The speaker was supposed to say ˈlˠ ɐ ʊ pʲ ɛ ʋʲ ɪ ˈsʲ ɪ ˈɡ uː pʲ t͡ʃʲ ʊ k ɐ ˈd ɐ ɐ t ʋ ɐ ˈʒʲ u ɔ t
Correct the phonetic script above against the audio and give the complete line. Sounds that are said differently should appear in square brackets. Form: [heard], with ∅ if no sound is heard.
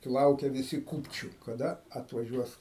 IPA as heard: ˈlˠ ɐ ʊ [kʲ] ɛ ʋʲ ɪ ˈsʲ ɪ [ˈk] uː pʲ t͡ʃʲ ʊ k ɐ ˈd ɐ ɐ t ʋ ɐ ˈʒʲ u ɔ [s]